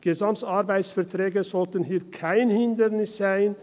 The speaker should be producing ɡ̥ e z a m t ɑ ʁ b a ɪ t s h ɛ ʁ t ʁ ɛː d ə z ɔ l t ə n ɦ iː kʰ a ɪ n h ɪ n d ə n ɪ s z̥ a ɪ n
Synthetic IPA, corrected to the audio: ɡ̥ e z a m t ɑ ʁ b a ɪ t s f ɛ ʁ t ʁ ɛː ɡ ə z ɔ l t ə n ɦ iː kʰ a ɪ n h ɪ n d ə n ɪ s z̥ a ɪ n